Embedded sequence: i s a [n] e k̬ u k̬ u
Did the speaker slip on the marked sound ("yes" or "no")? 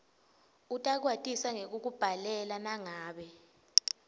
yes